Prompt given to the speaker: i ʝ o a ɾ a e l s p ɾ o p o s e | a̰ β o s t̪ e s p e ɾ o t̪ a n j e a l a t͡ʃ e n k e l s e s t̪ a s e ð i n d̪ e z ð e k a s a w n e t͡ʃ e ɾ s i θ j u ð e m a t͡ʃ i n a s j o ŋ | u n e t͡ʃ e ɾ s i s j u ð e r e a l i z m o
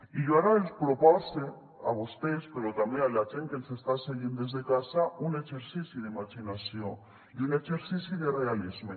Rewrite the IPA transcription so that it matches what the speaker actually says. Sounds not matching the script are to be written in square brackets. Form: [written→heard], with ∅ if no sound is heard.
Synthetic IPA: i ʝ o a ɾ a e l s p ɾ o p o s e | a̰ β o s t̪ e s p e ɾ o t̪ a [n→m] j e a l a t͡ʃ e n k e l s e s t̪ a s e [ð→ɣ] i n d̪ e z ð e k a s a [w→u] n e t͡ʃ e ɾ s i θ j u ð e m a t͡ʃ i n a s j o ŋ | u n e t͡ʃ e ɾ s i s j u ð e r e a l i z m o